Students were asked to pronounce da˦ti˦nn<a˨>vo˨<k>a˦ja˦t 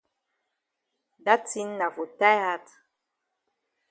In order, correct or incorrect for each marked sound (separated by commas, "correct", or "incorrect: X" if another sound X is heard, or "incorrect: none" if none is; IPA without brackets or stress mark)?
correct, incorrect: t